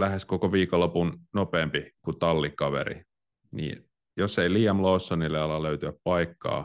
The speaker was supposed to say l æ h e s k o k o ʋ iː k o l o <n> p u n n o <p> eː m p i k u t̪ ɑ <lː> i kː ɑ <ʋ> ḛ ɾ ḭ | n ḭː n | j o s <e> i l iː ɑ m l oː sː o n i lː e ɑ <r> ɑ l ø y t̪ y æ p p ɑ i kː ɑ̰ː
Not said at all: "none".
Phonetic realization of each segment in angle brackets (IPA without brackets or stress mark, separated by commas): none, p, lː, ʋ, e, l